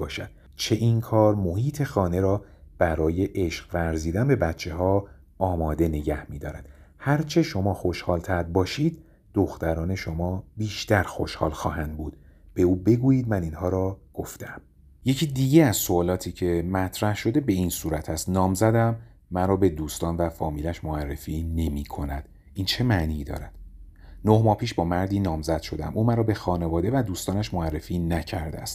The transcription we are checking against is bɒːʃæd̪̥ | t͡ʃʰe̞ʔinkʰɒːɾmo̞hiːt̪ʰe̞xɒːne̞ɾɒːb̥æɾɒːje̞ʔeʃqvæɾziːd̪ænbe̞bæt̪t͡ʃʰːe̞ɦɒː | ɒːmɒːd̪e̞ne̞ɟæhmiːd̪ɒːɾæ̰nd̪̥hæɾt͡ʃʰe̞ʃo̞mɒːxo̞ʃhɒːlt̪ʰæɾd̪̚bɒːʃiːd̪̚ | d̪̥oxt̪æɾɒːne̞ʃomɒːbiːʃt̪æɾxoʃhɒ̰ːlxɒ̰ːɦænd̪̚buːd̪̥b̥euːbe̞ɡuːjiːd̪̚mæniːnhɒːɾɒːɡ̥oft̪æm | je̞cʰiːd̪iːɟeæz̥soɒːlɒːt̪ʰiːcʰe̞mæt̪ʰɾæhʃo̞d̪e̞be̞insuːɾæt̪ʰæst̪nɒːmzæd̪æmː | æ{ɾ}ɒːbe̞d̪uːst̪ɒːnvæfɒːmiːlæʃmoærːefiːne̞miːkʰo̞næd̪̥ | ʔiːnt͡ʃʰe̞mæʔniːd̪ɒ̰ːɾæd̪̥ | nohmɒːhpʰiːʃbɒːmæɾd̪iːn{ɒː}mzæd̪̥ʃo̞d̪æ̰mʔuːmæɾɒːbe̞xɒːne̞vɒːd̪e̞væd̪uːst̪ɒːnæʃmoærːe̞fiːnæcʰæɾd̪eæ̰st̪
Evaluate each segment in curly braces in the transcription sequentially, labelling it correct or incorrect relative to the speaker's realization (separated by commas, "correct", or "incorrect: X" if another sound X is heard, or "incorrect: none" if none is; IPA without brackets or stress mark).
correct, correct